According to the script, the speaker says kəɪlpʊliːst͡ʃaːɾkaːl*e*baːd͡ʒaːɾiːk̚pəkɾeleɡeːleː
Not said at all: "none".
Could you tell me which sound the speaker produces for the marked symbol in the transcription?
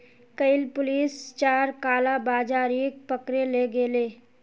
a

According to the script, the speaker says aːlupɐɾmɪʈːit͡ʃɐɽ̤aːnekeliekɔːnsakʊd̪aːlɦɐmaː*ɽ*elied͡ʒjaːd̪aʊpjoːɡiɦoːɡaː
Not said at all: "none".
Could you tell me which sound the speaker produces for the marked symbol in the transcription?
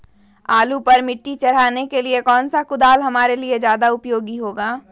ɾ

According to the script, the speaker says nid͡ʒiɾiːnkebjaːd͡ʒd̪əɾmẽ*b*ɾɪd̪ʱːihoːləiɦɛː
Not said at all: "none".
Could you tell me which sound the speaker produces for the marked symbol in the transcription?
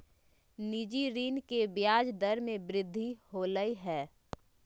b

